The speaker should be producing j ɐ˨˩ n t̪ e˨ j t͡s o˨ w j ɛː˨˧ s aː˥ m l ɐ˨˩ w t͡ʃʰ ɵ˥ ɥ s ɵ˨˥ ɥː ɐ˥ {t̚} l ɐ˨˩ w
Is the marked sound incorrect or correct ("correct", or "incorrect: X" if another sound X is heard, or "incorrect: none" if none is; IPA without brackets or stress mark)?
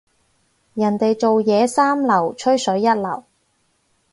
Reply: correct